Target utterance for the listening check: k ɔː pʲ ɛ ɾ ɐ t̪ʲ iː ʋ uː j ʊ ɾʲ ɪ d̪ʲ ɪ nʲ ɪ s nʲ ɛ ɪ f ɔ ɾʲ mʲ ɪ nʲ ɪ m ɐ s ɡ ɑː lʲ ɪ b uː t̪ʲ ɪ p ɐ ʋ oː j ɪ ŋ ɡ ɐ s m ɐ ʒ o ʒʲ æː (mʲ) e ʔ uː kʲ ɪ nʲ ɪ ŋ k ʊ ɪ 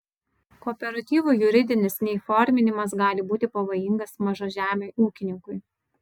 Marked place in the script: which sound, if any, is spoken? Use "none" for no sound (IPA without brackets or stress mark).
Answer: mʲ